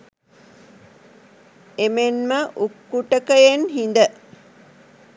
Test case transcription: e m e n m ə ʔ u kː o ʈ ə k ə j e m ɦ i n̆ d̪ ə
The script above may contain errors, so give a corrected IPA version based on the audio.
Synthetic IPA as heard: e m e n m ə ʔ u kː u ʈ ə k ə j e n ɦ i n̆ d̪ ə